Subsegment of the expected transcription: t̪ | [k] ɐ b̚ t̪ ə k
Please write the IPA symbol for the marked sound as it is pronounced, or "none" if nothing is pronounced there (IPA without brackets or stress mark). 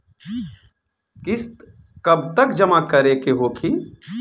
k